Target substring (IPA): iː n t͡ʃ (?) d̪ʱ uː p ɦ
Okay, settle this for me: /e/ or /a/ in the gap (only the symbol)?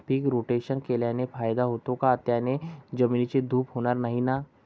e